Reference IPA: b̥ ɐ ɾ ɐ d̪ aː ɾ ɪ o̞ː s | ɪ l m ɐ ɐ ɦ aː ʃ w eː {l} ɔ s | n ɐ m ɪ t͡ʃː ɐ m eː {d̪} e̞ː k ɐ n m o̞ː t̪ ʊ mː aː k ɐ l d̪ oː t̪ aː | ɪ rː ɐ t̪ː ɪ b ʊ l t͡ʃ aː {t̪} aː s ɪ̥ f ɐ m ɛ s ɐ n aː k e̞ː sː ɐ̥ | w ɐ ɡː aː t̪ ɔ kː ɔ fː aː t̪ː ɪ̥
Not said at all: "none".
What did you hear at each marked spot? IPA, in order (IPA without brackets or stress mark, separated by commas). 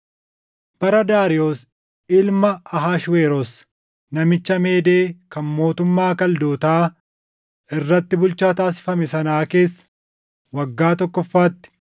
ɾ, d̪, t̪